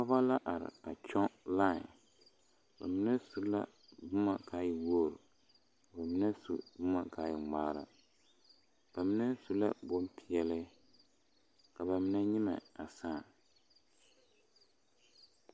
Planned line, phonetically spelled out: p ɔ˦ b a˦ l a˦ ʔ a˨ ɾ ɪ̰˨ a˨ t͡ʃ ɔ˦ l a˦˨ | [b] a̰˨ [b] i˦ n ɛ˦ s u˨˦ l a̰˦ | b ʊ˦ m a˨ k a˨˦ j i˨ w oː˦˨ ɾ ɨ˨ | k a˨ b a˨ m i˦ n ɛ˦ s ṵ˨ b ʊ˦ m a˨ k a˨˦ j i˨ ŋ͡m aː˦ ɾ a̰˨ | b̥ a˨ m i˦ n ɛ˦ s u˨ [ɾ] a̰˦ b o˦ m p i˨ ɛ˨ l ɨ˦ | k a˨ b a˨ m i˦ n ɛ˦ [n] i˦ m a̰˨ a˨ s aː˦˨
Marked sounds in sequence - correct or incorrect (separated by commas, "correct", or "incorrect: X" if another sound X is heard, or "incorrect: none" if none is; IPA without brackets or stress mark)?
correct, incorrect: m, incorrect: l, incorrect: ɲ